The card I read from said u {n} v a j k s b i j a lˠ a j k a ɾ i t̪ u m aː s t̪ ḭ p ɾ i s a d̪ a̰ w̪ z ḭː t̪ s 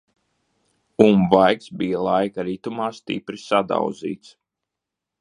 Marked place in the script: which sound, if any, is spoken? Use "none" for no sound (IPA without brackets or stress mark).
m